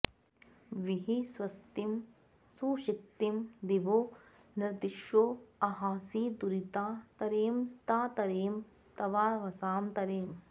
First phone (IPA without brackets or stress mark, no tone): ʋ